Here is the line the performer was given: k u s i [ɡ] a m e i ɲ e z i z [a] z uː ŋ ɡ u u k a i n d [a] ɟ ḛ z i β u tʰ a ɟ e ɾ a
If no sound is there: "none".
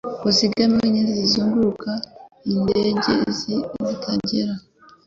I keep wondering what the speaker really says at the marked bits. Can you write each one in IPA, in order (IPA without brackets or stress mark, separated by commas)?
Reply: ɡ, i, e